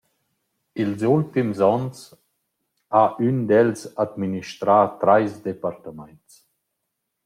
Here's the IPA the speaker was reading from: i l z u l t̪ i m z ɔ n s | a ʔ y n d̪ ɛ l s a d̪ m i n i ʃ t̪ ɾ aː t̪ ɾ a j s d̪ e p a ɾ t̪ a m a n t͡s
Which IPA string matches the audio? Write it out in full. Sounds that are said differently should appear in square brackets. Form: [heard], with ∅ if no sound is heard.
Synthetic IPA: i l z u l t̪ i m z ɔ n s | a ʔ y n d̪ ɛ l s a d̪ m i n i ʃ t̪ ɾ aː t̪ ɾ a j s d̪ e p a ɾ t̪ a m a n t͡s